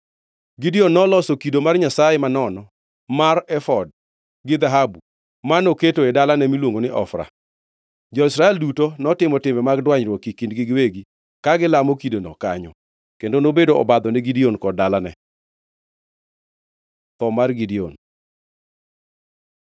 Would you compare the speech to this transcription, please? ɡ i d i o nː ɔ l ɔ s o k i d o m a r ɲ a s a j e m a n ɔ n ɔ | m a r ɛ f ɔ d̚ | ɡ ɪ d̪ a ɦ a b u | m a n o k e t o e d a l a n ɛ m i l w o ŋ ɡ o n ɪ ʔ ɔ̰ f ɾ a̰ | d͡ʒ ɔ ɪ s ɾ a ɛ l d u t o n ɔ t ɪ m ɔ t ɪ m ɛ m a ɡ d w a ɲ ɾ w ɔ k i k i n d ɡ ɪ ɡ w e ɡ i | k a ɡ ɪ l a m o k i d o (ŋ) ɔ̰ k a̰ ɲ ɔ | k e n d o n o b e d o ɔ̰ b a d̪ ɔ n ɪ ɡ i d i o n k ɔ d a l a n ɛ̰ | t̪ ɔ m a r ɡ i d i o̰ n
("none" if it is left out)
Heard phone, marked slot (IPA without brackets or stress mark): n